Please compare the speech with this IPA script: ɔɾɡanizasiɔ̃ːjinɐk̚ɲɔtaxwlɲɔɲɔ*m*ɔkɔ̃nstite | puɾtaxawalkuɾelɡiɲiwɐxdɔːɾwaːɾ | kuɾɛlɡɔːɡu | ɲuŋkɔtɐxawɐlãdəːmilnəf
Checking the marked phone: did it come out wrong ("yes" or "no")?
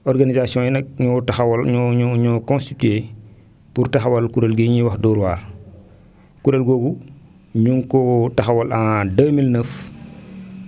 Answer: yes